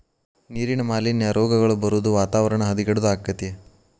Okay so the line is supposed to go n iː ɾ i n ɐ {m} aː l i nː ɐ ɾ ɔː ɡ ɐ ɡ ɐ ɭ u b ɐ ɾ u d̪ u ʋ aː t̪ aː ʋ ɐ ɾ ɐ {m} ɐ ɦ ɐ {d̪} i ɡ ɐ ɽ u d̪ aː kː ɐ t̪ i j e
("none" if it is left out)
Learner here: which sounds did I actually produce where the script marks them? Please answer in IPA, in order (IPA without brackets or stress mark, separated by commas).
m, ɳ, d̪